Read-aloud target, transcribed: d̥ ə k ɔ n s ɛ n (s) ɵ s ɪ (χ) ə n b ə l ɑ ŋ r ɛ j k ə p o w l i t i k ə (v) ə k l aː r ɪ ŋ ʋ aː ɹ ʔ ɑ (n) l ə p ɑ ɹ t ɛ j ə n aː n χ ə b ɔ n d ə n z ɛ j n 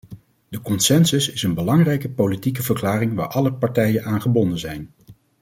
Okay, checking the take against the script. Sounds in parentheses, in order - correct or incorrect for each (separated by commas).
correct, incorrect, correct, incorrect